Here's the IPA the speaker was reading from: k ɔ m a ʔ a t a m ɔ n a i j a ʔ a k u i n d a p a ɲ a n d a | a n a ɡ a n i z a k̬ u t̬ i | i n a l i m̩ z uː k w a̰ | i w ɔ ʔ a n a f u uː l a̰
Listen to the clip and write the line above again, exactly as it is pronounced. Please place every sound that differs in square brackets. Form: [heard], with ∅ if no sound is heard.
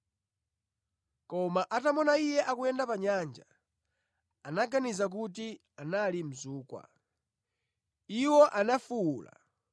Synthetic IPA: k ɔ m a ʔ a t a m ɔ n a i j [ɛ] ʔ a k u [ɛ] n d a p a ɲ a n [d͡ʒ] a | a n a ɡ a n i z a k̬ u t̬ i | [a] n a l i m̩ z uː k w a̰ | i w ɔ ʔ a n a f u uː l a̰

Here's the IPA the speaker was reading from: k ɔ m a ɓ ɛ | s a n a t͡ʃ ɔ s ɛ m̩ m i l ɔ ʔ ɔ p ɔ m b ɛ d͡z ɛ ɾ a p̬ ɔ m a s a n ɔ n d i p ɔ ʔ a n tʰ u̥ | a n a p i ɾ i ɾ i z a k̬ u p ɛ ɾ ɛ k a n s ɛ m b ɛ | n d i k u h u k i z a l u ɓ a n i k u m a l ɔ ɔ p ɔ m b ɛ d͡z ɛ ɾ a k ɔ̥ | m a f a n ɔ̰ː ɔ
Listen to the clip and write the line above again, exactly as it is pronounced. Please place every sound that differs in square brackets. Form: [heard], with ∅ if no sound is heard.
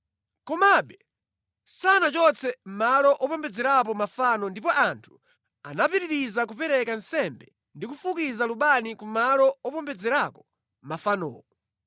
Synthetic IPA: k ɔ m a ɓ ɛ | s a n a t͡ʃ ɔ [t͡s] ɛ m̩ m [a] l ɔ ʔ ɔ p ɔ m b ɛ d͡z ɛ ɾ a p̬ ɔ m a [f] a n ɔ n d i p ɔ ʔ a n tʰ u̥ | a n a p i ɾ i ɾ i z a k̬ u p ɛ ɾ ɛ k a n s ɛ m b ɛ | n d i k u [f] u k i z a l u ɓ a n i k u m a l ɔ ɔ p ɔ m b ɛ d͡z ɛ ɾ a k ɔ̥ | m a f a n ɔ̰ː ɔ

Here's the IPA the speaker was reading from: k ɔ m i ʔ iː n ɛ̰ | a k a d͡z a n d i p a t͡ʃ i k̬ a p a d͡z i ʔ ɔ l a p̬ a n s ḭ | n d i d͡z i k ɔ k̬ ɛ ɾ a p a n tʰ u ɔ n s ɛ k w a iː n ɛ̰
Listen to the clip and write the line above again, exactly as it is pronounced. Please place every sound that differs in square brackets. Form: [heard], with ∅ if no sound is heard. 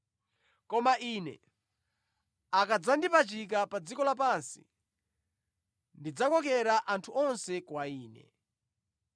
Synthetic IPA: k ɔ m [a] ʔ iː n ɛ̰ | a k a d͡z a n d i p a t͡ʃ i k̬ a p a d͡z i [k] ɔ l a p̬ a n s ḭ | n d i d͡z [a] k ɔ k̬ ɛ ɾ a [ʔ] a n tʰ u ɔ n s ɛ k w a iː n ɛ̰

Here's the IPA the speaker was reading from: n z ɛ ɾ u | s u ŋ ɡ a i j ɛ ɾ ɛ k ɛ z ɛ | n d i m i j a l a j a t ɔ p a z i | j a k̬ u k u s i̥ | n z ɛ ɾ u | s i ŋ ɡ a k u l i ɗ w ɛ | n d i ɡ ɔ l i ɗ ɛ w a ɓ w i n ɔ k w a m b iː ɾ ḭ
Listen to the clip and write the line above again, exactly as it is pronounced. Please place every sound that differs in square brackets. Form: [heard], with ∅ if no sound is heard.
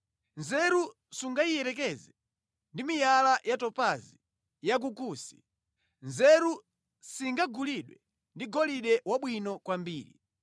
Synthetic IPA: n z ɛ ɾ u | s u ŋ ɡ a i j ɛ ɾ ɛ k ɛ z ɛ | n d i m i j a l a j a t ɔ p a z i | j a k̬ u k u s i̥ | n z ɛ ɾ u | s i ŋ ɡ a [ɡ] u l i ɗ w ɛ | n d i ɡ ɔ l i ɗ ɛ w a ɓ w i n ɔ k w a m b iː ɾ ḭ

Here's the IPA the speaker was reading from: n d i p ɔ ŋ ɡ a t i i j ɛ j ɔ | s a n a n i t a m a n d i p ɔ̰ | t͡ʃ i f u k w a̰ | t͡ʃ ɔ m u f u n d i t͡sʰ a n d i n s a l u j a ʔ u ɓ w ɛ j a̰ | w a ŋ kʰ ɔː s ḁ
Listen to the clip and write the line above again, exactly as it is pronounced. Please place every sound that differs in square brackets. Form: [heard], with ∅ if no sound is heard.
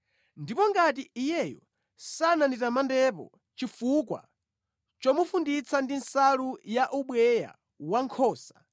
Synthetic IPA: n d i p ɔ ŋ ɡ a t i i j ɛ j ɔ | s a n a n i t a m a n d [ɛ] p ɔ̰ | t͡ʃ i f u k w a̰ | t͡ʃ ɔ m u f u n d i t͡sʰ a n d i n s a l u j a ʔ u ɓ w ɛ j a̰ | w a ŋ kʰ ɔː s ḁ

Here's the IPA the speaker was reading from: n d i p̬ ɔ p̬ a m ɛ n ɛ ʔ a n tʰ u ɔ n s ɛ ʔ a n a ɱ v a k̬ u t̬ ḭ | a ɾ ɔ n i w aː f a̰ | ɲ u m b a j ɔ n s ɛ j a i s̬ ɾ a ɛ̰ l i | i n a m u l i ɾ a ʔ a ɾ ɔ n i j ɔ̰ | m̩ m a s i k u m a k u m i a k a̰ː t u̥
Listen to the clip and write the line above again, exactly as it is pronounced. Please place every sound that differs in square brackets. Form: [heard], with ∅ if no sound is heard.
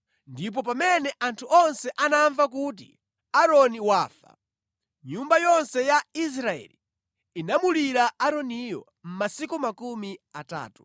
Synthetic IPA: n d i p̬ ɔ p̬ a m ɛ n ɛ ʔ a n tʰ u ɔ n s ɛ ʔ a n a ɱ v a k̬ u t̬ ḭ | a ɾ ɔ n i w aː f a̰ | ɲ u m b a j ɔ n s ɛ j a i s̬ ɾ a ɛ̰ l i | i n a m u l i ɾ a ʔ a ɾ ɔ n i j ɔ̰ | m̩ m a s i k u m a k u m i a [t] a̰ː t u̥

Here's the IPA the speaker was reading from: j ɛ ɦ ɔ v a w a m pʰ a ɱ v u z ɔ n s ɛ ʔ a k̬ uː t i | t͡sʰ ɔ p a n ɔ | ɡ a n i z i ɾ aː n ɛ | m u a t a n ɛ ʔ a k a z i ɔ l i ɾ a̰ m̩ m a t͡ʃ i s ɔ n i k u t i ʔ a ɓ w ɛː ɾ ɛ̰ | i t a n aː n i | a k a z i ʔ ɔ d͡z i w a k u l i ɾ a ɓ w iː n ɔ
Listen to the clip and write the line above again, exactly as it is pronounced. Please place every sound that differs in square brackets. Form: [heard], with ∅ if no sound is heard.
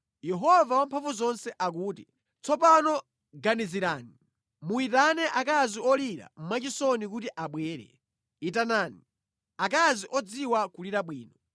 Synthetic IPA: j ɛ ɦ ɔ v a w a m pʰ a ɱ v u z ɔ n s ɛ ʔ a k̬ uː t i | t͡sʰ ɔ p a n ɔ | ɡ a n i z i ɾ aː n [i] | m u [i] t a n ɛ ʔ a k a z i ɔ l i ɾ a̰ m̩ m a t͡ʃ i s ɔ n i k u t i ʔ a ɓ w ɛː ɾ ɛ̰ | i t a n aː n i | a k a z i ʔ ɔ d͡z i w a k u l i ɾ a ɓ w iː n ɔ

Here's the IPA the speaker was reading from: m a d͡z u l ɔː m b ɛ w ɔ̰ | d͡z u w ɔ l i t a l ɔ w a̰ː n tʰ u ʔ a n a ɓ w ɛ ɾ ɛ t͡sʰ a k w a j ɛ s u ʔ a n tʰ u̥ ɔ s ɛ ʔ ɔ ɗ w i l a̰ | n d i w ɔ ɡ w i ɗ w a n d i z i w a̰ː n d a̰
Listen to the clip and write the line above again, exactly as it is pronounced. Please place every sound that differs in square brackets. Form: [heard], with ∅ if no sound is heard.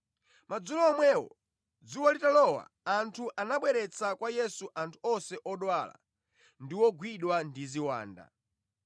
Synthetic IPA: m a d͡z u l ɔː m [w] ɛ w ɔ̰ | d͡z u w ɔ l i t a l ɔ w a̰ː n tʰ u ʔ a n a ɓ w ɛ ɾ ɛ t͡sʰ a k w a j ɛ s u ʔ a n tʰ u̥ ɔ s ɛ ʔ ɔ ɗ w [a] l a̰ | n d i w ɔ ɡ w i ɗ w a n d i z i w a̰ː n d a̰

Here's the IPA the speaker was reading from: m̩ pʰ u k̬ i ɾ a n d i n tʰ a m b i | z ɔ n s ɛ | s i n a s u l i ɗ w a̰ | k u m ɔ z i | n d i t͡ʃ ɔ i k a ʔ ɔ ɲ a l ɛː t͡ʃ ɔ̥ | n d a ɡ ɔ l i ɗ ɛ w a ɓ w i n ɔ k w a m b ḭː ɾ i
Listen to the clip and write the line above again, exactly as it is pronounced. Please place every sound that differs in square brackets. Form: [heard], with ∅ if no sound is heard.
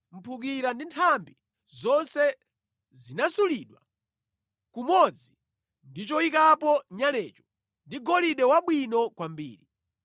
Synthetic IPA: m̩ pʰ u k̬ i ɾ a n d i n tʰ a m b i | z ɔ n s ɛ | [z] i n a s u l i ɗ w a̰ | k u m ɔ [d͡z] i | n d i t͡ʃ ɔ i k a [p] ɔ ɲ a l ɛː t͡ʃ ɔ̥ | n d [i] ɡ ɔ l i ɗ ɛ w a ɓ w i n ɔ k w a m b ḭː ɾ i

